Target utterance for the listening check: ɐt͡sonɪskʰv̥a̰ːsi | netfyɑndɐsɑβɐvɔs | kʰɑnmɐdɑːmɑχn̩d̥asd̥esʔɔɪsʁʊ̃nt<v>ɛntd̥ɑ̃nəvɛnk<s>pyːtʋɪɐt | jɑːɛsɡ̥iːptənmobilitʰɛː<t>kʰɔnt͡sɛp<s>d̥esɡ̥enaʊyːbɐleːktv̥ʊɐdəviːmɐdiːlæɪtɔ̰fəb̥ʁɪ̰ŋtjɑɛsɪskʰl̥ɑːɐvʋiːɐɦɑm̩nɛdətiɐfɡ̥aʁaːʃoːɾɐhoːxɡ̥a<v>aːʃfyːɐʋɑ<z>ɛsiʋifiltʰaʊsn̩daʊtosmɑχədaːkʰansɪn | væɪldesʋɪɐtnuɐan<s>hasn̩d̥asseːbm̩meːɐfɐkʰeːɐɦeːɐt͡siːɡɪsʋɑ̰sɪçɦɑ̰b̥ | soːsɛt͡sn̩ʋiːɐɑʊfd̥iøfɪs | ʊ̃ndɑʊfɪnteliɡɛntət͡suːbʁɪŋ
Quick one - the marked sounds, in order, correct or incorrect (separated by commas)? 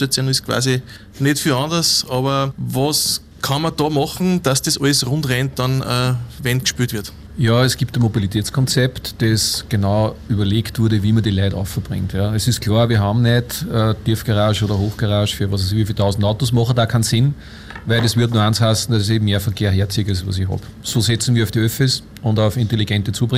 incorrect, incorrect, incorrect, incorrect, incorrect, incorrect, correct